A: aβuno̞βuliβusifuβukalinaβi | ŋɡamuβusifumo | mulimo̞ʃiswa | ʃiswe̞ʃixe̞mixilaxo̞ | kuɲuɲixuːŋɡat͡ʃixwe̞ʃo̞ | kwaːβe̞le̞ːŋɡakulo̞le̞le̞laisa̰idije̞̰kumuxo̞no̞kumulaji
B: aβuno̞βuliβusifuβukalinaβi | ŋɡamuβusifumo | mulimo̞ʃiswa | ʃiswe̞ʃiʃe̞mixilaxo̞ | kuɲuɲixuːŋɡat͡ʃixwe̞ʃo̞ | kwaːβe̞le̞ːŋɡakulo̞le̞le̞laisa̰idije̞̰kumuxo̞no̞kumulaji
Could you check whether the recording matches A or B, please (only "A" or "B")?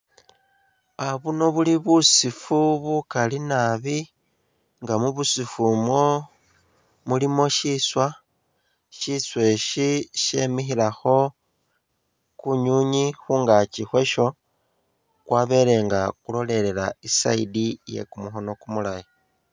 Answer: B